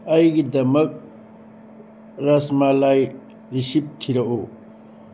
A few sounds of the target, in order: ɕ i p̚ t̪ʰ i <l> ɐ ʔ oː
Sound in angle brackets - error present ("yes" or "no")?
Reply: yes